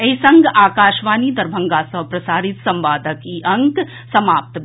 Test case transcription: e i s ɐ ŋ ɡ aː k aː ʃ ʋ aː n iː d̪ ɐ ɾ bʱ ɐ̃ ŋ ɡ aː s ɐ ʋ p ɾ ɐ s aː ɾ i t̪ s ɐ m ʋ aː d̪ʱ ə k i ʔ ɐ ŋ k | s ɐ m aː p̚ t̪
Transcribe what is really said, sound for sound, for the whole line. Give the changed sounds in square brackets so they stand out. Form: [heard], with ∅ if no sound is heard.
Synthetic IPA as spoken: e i s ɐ ŋ ɡ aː k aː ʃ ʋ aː n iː d̪ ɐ ɾ bʱ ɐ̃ ŋ ɡ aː s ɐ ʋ p ɾ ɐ s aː ɾ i t̪ s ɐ m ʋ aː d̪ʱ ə k i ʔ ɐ ŋ k | s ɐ m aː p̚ t̪